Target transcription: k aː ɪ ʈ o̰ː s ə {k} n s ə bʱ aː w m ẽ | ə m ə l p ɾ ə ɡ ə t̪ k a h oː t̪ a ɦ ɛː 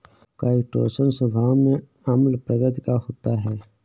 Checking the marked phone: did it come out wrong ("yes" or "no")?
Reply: yes